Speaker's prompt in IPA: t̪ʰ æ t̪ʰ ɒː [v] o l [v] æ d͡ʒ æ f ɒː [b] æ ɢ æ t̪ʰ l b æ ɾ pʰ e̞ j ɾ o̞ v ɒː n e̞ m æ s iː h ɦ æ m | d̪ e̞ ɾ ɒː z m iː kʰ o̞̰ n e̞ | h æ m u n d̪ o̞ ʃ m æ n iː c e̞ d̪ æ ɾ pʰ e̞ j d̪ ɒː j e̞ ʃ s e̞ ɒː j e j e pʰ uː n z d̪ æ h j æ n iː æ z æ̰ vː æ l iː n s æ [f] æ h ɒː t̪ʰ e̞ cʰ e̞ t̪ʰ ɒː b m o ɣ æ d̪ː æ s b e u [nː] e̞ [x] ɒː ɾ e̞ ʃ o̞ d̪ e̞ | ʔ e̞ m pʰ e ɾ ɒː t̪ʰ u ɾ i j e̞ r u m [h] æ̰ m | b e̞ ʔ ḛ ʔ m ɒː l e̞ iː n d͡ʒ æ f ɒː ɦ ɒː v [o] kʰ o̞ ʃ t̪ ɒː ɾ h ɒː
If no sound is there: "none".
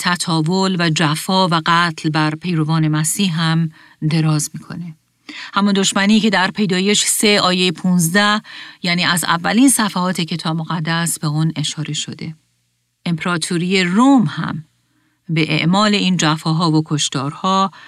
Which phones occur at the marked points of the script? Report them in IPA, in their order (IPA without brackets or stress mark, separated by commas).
v, v, v, f, n, ʃ, h, o